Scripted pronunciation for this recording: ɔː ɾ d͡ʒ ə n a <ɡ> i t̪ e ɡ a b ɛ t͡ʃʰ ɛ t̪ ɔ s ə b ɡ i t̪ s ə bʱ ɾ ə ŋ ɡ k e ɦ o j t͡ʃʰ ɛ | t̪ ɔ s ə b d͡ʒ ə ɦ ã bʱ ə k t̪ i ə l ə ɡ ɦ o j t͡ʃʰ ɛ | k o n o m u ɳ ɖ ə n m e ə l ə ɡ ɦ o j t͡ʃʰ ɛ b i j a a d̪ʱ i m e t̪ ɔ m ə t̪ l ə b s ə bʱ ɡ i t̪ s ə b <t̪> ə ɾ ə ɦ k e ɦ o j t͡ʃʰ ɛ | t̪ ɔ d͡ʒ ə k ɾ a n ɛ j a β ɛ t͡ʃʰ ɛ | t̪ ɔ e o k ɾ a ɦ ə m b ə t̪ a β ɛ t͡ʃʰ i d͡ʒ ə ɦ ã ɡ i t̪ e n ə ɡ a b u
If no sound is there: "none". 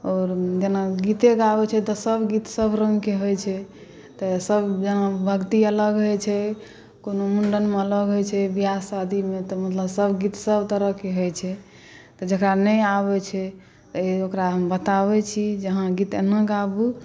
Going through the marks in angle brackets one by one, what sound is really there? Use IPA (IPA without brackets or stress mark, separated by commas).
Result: ɡ, t̪